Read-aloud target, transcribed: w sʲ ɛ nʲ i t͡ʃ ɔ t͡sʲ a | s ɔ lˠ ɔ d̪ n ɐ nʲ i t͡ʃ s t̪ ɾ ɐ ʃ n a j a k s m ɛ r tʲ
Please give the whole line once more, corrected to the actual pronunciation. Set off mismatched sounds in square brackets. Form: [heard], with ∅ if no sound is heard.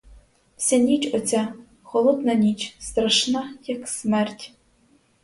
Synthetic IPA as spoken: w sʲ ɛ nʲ i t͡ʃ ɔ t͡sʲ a | [x] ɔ lˠ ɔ d̪ n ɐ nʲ i t͡ʃ s t̪ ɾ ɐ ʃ n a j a k s m ɛ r tʲ

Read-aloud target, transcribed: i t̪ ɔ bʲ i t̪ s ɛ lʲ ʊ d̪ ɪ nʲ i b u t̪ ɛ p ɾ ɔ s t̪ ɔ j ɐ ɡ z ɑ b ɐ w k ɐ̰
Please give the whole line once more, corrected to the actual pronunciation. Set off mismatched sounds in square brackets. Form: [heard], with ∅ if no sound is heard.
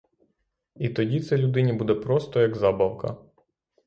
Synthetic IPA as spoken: i t̪ ɔ [dʲ] i t̪ s ɛ lʲ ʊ d̪ ɪ nʲ i b u [d̪] ɛ p ɾ ɔ s t̪ ɔ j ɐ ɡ z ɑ b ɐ w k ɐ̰

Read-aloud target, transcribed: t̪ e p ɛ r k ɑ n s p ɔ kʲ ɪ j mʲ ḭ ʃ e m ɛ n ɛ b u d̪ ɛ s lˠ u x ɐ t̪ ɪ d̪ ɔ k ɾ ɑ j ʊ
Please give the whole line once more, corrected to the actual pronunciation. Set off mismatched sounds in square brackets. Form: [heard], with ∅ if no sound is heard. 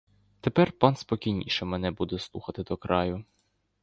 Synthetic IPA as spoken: t̪ e p ɛ r [p] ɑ n s p ɔ kʲ [i] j [nʲ] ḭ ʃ [ɛ] m ɛ n ɛ b u d̪ ɛ s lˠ u x ɐ t̪ ɪ d̪ ɔ k ɾ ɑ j ʊ

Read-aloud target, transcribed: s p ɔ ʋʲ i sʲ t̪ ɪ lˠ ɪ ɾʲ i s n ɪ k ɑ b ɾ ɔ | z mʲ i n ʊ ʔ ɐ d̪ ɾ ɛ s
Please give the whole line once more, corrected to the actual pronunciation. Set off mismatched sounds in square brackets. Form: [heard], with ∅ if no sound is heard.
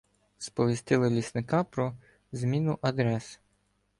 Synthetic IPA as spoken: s p ɔ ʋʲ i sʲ t̪ ɪ lˠ ɪ [lʲ] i s n ɪ k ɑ [p] ɾ ɔ | z mʲ i n ʊ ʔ ɐ d̪ ɾ ɛ s

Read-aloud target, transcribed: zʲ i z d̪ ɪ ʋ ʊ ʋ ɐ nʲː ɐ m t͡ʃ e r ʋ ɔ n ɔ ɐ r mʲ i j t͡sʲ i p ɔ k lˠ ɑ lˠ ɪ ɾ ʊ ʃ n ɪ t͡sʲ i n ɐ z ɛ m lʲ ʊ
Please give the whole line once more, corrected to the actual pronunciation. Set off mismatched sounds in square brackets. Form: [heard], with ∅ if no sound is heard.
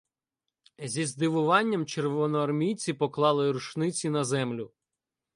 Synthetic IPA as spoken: zʲ i z d̪ ɪ ʋ ʊ ʋ [ɑ] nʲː ɐ m t͡ʃ e r ʋ ɔ n ɔ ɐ r mʲ i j t͡sʲ i p ɔ k lˠ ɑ lˠ ɪ ɾ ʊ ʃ n ɪ t͡sʲ i n ɐ z ɛ m lʲ ʊ

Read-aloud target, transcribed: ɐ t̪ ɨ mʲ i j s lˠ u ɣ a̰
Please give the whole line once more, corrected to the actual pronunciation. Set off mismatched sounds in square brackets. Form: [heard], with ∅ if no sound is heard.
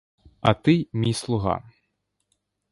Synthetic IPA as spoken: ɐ t̪ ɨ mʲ i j s lˠ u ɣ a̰

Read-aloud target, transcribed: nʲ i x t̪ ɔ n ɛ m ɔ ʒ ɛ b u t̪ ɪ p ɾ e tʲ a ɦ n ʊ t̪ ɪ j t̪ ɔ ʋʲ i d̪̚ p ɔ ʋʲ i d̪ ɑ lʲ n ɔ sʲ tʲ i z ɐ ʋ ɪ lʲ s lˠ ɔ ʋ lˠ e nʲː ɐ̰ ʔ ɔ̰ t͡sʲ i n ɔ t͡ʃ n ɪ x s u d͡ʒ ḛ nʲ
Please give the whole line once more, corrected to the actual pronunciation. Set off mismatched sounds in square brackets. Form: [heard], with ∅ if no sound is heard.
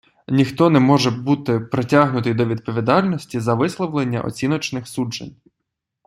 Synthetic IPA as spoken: nʲ i x t̪ ɔ n ɛ m ɔ ʒ ɛ b u t̪ ɪ p ɾ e tʲ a ɦ n ʊ t̪ ɪ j [d̪] ɔ ʋʲ i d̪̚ p ɔ ʋʲ i d̪ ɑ lʲ n ɔ sʲ tʲ i z ɐ ʋ ɪ [∅] s lˠ ɔ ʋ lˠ e nʲː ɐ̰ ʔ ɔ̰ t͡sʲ i n ɔ t͡ʃ n ɪ x s u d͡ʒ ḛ nʲ

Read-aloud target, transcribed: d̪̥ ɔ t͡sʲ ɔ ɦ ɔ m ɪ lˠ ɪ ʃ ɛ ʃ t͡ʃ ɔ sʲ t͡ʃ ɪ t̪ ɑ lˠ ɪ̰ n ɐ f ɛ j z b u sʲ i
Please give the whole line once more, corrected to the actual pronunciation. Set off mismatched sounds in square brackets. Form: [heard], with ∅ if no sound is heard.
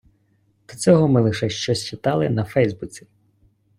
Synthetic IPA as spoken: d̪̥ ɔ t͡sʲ ɔ ɦ ɔ m ɪ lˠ ɪ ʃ ɛ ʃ t͡ʃ ɔ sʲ t͡ʃ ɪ t̪ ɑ lˠ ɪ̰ n ɐ f ɛ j z b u [t͡sʲ] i

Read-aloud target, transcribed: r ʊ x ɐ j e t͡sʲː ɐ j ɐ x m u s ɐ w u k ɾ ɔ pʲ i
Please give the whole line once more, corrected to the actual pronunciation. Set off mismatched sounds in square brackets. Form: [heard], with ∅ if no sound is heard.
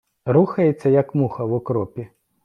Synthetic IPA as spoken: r [u] x ɐ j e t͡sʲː ɐ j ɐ [k] m u [x] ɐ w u k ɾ ɔ pʲ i

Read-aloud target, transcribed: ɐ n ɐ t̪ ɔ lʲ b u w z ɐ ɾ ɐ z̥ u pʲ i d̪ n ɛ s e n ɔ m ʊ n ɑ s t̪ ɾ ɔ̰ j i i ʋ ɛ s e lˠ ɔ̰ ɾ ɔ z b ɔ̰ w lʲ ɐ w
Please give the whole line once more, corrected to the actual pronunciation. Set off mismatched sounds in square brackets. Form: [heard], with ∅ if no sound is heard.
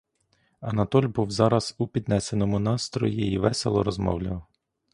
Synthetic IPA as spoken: ɐ n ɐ t̪ ɔ lʲ b u w z [ɑ] ɾ ɐ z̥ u pʲ i d̪ n ɛ s e n ɔ m ʊ n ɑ s t̪ ɾ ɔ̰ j i i ʋ ɛ s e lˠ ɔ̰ ɾ ɔ z [m] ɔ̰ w lʲ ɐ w

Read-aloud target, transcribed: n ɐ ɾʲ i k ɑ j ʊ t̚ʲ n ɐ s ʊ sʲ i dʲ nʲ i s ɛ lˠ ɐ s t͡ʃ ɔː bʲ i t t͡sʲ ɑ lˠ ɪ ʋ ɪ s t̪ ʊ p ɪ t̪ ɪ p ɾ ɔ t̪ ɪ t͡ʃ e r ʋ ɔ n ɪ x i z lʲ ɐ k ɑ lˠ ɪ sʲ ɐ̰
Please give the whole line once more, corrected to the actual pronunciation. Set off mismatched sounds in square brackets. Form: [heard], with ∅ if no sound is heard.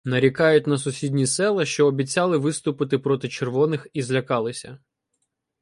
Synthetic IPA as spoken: n ɐ ɾʲ i k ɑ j ʊ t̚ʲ n ɐ s ʊ sʲ i dʲ nʲ i s ɛ lˠ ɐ [ʃ] t͡ʃ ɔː bʲ i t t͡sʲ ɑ lˠ ɪ ʋ ɪ s t̪ ʊ p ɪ t̪ ɪ p ɾ ɔ t̪ ɪ t͡ʃ e r ʋ ɔ n ɪ x i z lʲ ɐ k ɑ lˠ ɪ sʲ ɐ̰

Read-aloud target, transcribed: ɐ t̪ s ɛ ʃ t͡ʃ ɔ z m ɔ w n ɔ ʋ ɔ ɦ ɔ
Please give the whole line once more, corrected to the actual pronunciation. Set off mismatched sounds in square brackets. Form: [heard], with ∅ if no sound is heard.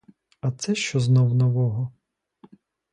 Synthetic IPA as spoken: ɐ t̪ s ɛ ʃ t͡ʃ ɔ z [n] ɔ w n ɔ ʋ ɔ ɦ ɔ

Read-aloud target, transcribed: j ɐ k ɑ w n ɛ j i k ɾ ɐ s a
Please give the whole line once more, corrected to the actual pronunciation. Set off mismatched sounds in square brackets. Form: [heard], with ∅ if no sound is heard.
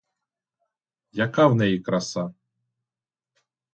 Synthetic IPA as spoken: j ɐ k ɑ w n ɛ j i k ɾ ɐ s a

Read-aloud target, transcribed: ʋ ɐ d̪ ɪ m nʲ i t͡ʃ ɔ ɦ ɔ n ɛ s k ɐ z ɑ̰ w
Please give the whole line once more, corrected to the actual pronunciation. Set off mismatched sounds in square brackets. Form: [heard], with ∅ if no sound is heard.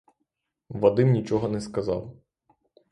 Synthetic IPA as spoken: ʋ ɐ d̪ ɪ m nʲ i t͡ʃ ɔ ɦ ɔ n ɛ s k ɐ z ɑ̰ w

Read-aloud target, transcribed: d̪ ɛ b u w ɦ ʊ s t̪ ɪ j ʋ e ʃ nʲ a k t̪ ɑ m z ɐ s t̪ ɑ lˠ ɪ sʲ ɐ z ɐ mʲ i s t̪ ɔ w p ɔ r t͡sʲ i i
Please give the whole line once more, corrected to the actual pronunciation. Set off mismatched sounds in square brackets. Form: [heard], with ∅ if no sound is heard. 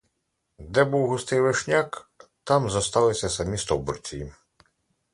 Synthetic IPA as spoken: d̪ ɛ b u w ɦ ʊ s t̪ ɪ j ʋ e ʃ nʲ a k t̪ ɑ m z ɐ s t̪ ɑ lˠ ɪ sʲ ɐ [s] ɐ mʲ i s t̪ ɔ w [b] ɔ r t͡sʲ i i

